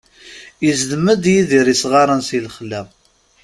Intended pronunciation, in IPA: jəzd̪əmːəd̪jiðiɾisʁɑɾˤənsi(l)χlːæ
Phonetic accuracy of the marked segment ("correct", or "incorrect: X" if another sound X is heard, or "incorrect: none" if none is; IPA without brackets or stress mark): correct